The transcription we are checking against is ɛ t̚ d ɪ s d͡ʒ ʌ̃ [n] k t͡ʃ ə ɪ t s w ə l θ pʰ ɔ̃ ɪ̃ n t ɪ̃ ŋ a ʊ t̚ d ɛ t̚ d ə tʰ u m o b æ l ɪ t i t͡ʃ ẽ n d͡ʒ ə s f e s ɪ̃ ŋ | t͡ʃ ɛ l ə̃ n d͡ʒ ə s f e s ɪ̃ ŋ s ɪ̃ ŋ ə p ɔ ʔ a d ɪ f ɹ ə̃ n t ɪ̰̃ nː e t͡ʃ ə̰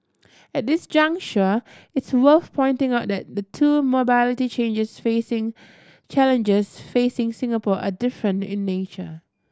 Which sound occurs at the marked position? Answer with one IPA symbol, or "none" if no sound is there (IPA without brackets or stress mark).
ŋ